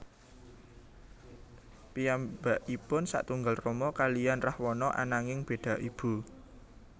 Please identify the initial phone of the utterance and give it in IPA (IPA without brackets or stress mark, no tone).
p